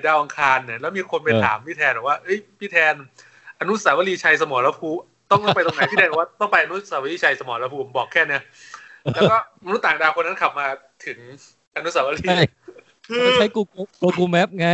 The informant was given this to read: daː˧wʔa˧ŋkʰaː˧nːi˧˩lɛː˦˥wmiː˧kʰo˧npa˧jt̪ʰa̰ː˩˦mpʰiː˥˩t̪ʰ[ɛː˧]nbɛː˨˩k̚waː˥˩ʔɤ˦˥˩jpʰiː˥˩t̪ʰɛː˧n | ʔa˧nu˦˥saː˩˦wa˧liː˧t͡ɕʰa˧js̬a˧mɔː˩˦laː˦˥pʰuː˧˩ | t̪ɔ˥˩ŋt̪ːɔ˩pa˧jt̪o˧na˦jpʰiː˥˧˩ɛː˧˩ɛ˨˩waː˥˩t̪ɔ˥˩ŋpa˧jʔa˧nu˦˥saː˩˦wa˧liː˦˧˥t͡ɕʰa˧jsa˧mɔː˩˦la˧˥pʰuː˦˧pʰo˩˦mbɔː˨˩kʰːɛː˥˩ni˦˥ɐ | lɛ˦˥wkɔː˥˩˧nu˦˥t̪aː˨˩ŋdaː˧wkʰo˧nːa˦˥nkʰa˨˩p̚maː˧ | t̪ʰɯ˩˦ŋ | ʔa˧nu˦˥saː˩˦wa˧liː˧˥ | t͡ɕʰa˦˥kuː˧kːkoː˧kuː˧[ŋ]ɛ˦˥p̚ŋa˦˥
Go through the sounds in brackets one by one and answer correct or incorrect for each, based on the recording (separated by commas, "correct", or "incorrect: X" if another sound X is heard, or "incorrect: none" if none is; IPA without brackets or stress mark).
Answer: correct, incorrect: m